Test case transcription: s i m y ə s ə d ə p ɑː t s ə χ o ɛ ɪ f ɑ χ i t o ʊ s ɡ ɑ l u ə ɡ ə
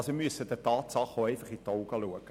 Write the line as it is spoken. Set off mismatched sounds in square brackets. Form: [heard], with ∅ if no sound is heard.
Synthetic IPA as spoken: s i m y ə s ə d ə [t] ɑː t s [ɑ] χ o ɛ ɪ f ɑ χ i t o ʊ [∅] ɡ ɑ l u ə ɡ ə